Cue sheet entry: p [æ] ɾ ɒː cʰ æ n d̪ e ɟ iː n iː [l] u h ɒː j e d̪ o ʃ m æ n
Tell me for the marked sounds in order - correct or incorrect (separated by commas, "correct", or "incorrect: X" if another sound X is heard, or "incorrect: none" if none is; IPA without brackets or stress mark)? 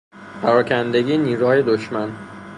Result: correct, incorrect: ɾ